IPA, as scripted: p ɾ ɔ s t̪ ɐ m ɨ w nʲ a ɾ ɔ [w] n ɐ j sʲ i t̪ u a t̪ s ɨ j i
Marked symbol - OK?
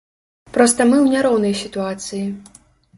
yes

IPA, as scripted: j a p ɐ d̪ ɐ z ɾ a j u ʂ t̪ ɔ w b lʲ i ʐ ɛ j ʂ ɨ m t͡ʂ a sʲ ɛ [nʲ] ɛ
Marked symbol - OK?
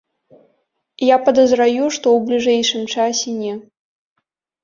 yes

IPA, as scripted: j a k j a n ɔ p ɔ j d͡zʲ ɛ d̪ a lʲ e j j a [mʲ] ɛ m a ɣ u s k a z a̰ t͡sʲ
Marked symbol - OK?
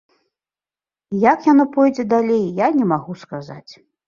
no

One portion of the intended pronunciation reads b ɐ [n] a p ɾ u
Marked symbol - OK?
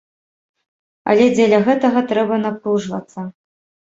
yes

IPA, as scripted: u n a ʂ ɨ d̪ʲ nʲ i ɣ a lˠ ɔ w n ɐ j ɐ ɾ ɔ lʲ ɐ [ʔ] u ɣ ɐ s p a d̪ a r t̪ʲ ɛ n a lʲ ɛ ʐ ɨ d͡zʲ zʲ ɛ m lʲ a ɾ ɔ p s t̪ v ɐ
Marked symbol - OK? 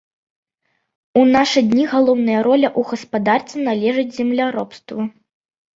yes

